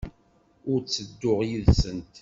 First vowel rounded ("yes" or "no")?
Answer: yes